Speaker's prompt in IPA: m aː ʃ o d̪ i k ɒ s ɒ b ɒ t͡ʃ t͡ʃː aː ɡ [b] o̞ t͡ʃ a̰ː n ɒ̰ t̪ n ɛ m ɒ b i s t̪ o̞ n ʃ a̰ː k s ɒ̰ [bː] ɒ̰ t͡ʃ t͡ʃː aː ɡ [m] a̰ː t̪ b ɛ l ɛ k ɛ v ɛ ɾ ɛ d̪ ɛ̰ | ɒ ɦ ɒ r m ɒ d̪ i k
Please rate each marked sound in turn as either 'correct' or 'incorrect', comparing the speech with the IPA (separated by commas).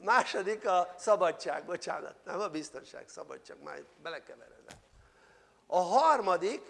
correct, incorrect, correct